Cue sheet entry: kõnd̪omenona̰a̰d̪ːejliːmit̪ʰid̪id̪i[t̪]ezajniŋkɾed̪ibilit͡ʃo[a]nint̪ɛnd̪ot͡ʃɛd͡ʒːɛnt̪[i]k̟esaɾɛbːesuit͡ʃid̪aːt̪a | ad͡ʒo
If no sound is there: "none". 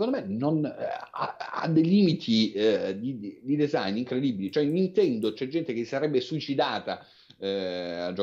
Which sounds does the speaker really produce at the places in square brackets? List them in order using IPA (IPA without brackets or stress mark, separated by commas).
d̪, ɛ, e